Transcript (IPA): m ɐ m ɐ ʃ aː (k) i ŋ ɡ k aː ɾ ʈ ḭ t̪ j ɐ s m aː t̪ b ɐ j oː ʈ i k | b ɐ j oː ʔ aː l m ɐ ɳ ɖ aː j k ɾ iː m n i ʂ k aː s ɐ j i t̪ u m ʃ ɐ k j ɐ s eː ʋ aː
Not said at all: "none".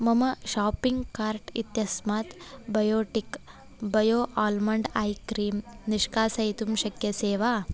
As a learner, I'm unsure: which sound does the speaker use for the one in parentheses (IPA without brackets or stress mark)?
p